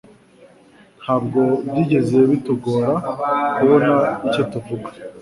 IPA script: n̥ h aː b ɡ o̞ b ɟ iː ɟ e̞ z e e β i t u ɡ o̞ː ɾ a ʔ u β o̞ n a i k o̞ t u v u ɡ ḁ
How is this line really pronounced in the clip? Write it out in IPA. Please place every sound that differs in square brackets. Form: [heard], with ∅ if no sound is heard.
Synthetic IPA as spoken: n̥ h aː b ɡ o̞ b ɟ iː ɟ e̞ z e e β i t u ɡ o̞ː ɾ a [k] u β o̞ n a i [c] o̞ t u v u ɡ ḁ